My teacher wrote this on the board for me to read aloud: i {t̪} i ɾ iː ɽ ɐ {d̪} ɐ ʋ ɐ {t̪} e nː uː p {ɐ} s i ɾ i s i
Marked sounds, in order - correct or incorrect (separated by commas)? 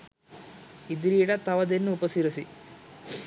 incorrect, incorrect, incorrect, correct